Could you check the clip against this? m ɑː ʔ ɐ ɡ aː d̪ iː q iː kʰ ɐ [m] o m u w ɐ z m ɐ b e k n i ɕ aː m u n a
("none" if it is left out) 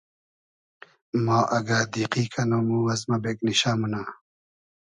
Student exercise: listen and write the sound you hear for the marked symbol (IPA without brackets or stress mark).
n